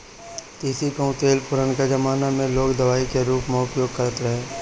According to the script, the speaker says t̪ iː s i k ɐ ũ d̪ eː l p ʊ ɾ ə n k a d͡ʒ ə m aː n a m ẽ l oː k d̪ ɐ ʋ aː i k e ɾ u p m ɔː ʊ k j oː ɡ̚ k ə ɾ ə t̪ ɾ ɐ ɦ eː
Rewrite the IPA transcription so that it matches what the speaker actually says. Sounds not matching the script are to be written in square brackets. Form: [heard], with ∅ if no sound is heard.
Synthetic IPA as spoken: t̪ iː s i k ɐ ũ [t̪] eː l p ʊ ɾ ə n k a d͡ʒ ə m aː n a m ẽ l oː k d̪ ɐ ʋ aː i k e ɾ [uː] p m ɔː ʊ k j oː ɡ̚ k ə ɾ ə t̪ ɾ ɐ ɦ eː